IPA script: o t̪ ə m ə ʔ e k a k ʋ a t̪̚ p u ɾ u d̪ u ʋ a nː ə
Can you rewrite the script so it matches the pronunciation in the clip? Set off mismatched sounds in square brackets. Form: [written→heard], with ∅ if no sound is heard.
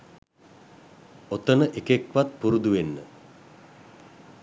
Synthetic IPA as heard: o t̪ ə [m→n] ə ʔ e k [a→e] k ʋ a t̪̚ p u ɾ u d̪ u ʋ [a→e] nː ə